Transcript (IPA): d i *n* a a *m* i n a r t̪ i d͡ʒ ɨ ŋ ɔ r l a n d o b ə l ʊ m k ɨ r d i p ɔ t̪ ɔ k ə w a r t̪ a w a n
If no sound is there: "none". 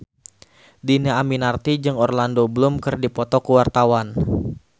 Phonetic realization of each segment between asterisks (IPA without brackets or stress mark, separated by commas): n, m